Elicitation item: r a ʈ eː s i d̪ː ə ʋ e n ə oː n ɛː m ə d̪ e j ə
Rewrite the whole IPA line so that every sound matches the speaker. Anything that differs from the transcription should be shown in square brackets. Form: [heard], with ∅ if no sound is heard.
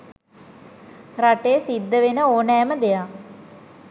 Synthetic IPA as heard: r a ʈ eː s i d̪ː ə ʋ e n ə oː n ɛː m ə d̪ e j [a]